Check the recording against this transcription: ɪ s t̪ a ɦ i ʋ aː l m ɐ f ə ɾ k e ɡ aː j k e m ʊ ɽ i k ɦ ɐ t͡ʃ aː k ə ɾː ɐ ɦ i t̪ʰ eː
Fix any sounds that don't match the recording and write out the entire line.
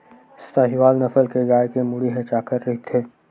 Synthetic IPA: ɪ s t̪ a ɦ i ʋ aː l n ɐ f ə l k e ɡ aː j k e m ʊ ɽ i ɦ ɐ t͡ʃ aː k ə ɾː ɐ ɦ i t̪ʰ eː